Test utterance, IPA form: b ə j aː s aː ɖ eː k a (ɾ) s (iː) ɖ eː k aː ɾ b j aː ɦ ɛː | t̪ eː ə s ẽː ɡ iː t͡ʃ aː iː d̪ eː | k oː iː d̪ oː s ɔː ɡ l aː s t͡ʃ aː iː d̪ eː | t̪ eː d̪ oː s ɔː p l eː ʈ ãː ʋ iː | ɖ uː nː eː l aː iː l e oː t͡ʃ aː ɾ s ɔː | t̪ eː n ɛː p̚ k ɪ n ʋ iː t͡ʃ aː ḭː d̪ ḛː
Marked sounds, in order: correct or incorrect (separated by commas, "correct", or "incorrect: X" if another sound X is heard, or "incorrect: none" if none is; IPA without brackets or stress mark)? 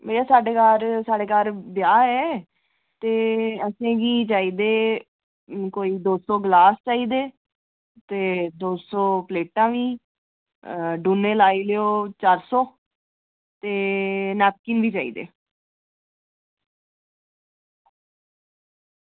correct, incorrect: aː